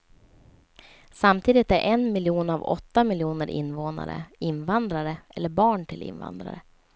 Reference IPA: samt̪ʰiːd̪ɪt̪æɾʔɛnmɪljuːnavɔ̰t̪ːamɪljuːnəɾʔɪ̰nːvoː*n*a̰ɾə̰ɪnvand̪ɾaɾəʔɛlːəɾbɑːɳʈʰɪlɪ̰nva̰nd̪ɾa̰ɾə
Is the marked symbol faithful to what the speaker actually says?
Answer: yes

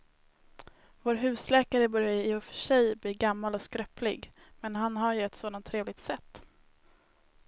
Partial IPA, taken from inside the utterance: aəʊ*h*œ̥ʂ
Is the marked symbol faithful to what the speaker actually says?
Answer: no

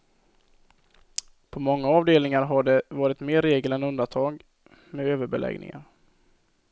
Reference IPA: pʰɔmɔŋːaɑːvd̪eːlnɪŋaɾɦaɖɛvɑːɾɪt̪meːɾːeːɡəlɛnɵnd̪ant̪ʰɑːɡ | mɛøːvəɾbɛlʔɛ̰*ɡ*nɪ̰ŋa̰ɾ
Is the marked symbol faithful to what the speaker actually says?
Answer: yes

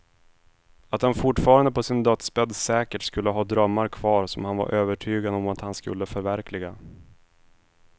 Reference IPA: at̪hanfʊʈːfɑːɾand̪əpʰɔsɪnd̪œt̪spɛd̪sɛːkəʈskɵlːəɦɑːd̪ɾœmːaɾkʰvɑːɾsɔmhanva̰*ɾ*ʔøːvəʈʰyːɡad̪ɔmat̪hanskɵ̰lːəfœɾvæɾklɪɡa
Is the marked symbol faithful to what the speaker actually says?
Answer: yes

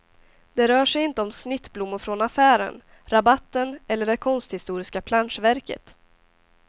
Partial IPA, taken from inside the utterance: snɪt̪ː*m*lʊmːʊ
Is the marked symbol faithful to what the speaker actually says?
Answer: no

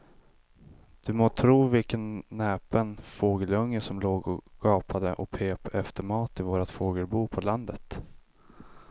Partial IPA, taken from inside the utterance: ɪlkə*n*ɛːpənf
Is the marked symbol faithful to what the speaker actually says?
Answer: no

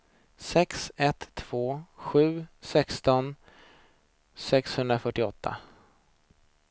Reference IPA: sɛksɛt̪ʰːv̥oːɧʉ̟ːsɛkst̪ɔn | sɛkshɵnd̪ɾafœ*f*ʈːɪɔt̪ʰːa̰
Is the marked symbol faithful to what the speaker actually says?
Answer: no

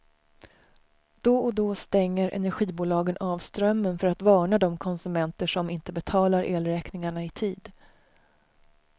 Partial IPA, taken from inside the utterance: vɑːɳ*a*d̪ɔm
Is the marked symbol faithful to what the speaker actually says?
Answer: yes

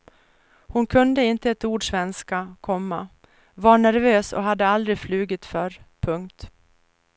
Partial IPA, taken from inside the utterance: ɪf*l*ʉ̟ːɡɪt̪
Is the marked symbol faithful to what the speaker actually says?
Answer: yes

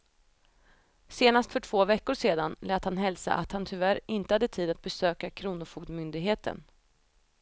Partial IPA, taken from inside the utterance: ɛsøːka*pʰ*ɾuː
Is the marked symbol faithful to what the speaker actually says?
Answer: no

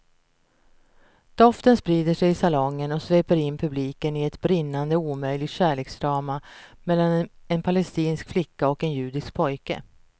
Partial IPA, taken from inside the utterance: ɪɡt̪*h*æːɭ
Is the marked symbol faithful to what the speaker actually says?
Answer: no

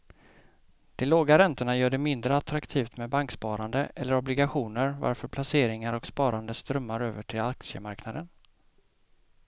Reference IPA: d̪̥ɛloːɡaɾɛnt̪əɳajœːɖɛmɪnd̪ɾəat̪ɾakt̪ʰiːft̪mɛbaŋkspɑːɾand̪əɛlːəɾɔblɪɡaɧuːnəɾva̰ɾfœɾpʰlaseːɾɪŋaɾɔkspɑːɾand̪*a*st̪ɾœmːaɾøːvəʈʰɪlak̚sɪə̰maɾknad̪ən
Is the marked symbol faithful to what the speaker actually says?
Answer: no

